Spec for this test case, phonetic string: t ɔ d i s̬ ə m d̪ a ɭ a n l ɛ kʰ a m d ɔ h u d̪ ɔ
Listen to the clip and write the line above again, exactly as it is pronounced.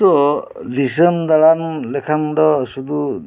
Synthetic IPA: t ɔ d i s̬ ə m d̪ a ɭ a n l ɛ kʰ a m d ɔ s u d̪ u

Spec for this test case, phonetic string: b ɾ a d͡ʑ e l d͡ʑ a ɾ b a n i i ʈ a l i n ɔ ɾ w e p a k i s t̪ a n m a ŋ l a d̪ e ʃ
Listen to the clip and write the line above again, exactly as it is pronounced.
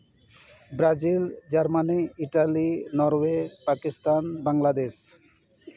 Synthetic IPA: b ɾ a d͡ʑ i l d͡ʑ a ɾ m a n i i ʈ a l i n ɔ ɾ w e p a k i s t̪ a n b a ŋ l a d̪ e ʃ

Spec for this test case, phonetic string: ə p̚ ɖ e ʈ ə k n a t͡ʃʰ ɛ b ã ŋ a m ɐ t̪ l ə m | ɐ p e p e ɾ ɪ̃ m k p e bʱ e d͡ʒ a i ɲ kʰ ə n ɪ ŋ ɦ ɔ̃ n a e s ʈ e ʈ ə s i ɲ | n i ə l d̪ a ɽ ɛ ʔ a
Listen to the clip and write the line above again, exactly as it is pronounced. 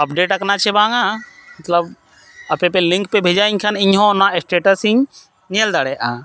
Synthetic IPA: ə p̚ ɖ e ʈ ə k n a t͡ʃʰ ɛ b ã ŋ a m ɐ t̪ l ə b | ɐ p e p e l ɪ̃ ŋ k p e bʱ e d͡ʒ a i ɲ kʰ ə n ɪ ɲ ɦ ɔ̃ n a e s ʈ e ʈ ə s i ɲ | n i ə l d̪ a ɽ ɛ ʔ a

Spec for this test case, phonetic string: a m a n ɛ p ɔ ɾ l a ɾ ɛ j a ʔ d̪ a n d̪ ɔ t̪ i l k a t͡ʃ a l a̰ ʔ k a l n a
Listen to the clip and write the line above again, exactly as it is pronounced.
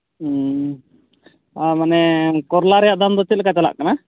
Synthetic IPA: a m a n ɛ k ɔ ɾ l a ɾ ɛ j a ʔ d̪ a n d̪ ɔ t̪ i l k a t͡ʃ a l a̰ ʔ k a n a

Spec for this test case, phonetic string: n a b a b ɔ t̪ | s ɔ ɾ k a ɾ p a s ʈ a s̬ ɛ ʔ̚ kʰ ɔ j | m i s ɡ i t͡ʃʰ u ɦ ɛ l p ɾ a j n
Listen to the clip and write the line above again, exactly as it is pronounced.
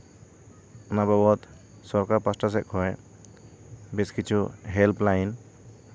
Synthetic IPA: n a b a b ɔ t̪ | s ɔ ɾ k a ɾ p a s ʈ a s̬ ɛ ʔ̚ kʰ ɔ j | b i s k i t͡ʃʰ u ɦ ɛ l p l a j n

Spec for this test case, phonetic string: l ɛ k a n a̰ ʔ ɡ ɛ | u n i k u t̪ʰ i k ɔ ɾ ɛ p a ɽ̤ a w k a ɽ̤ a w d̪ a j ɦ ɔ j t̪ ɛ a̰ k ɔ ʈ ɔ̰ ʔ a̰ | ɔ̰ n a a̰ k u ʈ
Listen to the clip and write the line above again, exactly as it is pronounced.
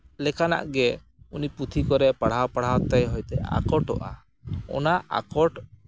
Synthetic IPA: l ɛ k a n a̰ ʔ ɡ ɛ | u n i p u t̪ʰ i k ɔ ɾ ɛ p a ɽ̤ a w p a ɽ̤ a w t̪ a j ɦ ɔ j t̪ ɛ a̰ k ɔ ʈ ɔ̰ ʔ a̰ | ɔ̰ n a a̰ k ɔ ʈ

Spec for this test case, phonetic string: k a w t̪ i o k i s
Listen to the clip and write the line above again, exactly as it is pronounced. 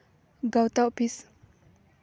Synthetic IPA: ɡ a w t̪ a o p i s

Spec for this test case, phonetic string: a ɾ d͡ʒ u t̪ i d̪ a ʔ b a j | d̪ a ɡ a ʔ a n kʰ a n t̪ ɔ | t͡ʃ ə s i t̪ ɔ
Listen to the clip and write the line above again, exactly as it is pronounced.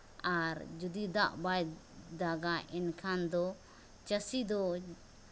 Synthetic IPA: a ɾ d͡ʒ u d̪ i d̪ a ʔ b a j | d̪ a ɡ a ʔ ɛ n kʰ a n d̪ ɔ | t͡ʃ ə s i d̪ ɔ

